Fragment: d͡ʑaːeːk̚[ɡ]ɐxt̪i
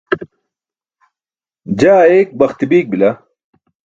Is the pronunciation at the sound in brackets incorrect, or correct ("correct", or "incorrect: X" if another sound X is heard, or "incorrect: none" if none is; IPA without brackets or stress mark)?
incorrect: b